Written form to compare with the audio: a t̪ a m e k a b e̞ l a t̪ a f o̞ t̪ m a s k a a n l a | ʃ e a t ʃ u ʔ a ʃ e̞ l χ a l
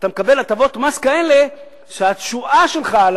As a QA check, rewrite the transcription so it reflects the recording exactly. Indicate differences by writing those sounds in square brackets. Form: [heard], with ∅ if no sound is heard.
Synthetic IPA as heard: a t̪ a m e k a b e̞ l a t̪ a [v] o̞ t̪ m a s k a [e] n l [e] | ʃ e a t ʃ u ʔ a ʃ e̞ l χ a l